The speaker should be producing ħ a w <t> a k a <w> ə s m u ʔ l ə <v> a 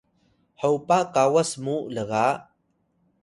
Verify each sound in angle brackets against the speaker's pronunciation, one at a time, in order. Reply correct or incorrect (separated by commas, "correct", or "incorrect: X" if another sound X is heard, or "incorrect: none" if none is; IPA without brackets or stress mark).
incorrect: p, correct, incorrect: ɣ